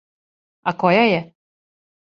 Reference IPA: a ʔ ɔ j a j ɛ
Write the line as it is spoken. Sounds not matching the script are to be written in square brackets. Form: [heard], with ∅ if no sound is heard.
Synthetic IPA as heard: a [k] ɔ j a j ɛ